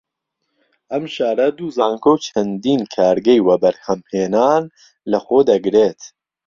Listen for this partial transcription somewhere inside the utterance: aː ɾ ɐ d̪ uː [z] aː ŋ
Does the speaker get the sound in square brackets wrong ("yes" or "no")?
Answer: no